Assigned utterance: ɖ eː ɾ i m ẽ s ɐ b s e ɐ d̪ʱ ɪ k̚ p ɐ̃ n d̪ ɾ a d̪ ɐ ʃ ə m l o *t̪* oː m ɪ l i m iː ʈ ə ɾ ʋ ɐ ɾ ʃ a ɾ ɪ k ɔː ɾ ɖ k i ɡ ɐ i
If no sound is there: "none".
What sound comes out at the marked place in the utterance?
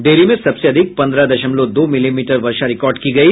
d̪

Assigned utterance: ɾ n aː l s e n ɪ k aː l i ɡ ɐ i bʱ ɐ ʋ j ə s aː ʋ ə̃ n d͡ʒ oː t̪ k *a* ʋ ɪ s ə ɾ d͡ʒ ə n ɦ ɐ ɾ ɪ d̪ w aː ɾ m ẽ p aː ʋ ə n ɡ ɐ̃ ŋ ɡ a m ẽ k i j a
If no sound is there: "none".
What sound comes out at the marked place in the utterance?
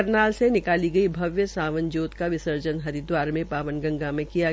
a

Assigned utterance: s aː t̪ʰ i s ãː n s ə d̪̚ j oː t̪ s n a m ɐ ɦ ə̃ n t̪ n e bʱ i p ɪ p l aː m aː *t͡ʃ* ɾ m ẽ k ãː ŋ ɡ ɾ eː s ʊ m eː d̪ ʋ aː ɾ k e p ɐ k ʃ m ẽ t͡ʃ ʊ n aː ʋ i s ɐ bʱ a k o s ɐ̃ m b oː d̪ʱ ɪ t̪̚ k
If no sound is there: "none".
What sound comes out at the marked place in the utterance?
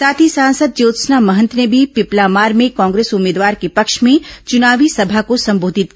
none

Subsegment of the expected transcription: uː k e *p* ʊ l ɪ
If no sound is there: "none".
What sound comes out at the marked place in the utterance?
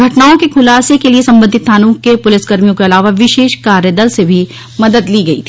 p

